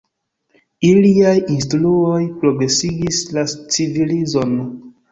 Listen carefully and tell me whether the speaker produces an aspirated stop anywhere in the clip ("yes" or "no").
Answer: no